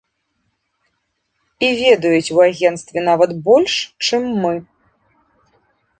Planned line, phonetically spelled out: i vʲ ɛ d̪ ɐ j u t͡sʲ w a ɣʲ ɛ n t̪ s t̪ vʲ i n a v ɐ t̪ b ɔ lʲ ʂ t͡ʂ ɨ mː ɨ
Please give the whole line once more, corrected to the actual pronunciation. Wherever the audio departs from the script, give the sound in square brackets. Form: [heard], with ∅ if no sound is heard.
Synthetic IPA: i vʲ ɛ d̪ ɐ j u t͡sʲ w a ɣʲ ɛ n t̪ s t̪ vʲ [ɛ] n a v ɐ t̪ b ɔ lʲ ʂ t͡ʂ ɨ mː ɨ